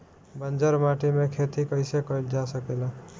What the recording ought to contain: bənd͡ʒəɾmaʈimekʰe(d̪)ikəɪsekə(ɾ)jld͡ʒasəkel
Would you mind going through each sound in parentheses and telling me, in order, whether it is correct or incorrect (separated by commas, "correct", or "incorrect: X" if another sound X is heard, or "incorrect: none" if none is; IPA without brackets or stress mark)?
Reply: incorrect: t̪, incorrect: none